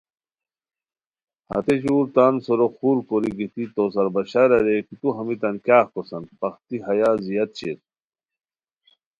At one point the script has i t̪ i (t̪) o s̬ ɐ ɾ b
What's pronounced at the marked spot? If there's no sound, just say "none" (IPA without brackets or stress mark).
t̪